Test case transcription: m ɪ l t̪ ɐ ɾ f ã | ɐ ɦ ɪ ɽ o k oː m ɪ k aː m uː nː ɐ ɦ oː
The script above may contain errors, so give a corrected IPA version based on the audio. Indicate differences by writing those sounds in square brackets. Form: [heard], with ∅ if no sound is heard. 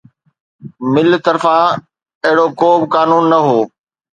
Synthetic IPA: m ɪ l t̪ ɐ ɾ f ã | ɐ ɦ ɪ ɽ o k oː [b] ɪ k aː [n] uː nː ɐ ɦ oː